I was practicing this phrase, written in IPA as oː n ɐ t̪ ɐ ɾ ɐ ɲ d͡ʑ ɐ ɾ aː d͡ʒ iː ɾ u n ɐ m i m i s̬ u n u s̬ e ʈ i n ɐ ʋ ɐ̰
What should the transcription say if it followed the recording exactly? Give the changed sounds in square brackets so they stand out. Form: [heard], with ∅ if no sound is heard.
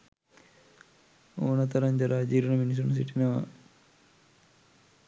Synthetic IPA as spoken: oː n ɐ t̪ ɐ ɾ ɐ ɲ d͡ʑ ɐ ɾ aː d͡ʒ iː ɾ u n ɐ m i [n] i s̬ u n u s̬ [i] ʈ i n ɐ ʋ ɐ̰